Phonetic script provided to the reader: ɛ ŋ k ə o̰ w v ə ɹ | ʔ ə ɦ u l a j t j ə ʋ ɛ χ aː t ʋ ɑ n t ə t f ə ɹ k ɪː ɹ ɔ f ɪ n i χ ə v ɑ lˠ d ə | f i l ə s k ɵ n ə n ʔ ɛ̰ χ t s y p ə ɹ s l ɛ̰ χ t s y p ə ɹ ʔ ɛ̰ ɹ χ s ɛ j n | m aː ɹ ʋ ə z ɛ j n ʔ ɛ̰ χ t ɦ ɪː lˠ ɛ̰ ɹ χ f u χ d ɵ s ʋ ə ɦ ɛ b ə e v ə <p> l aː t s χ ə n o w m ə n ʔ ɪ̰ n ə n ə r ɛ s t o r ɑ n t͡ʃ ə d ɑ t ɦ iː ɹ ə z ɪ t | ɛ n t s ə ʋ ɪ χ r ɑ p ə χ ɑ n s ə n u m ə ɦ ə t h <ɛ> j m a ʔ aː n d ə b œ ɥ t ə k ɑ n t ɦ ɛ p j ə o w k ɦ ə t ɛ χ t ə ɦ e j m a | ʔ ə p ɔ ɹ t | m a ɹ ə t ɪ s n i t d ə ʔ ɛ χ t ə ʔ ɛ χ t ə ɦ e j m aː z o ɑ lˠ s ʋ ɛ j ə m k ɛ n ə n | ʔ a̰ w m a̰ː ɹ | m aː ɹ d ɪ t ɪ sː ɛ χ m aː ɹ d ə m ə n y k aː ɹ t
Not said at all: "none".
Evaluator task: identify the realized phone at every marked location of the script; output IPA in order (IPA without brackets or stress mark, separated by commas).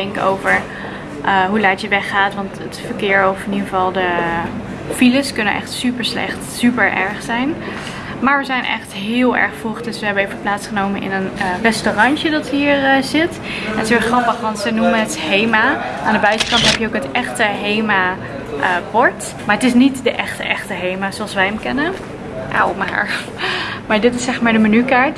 p, e